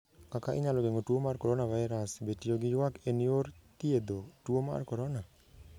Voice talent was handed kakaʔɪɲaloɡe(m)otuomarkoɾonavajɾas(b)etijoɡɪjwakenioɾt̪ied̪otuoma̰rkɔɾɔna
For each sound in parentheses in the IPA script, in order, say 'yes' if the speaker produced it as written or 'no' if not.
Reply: no, yes

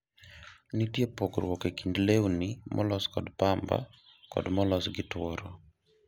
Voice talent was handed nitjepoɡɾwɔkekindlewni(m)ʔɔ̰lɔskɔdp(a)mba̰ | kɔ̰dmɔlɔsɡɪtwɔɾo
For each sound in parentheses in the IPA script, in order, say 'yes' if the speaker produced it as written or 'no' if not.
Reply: yes, yes

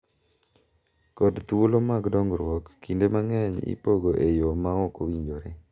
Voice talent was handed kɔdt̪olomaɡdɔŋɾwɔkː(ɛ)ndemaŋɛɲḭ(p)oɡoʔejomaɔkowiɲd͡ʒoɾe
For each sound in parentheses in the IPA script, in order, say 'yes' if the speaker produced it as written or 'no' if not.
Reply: no, yes

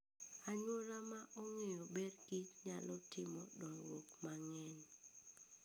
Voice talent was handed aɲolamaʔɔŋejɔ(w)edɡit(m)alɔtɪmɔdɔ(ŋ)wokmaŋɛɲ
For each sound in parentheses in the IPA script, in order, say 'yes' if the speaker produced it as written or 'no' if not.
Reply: no, no, yes

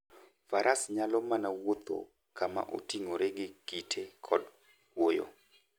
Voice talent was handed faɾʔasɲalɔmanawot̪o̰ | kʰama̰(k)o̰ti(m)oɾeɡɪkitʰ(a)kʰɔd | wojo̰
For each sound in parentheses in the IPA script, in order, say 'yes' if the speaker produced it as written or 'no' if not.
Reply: no, no, no

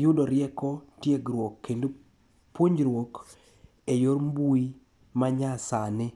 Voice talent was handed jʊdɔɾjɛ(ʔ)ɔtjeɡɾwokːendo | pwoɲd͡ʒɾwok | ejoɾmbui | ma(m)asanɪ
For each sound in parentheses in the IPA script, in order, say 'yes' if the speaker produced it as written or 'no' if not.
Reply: no, no

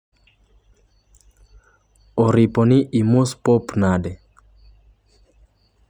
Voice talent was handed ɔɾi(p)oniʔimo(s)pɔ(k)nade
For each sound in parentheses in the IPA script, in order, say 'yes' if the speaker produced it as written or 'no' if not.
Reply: yes, yes, no

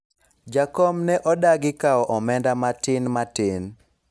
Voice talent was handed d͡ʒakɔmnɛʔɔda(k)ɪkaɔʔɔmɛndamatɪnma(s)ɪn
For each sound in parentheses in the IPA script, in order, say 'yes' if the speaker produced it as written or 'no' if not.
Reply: no, no

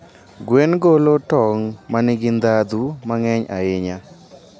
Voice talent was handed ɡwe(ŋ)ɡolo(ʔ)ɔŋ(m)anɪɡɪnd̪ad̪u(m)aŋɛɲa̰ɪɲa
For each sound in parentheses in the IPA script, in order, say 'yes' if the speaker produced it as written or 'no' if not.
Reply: no, no, yes, yes

